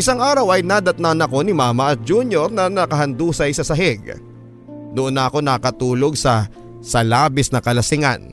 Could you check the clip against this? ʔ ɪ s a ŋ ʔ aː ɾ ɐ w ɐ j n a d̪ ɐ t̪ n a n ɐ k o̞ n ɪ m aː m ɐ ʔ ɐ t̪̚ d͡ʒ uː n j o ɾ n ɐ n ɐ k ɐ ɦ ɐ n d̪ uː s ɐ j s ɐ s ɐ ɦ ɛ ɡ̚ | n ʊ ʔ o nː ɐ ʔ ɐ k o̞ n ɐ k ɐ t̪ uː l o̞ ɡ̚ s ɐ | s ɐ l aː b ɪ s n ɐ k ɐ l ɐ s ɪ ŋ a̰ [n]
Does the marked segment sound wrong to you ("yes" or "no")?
no